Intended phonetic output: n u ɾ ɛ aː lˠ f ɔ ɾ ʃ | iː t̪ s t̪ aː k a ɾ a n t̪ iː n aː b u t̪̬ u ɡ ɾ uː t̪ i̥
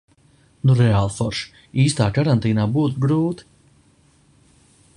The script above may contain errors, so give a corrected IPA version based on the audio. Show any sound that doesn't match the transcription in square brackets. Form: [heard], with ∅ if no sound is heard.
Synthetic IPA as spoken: n u ɾ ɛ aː lˠ f ɔ ɾ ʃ | iː [∅] s t̪ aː k a ɾ a n t̪ iː n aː b [uː] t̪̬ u ɡ ɾ uː t̪ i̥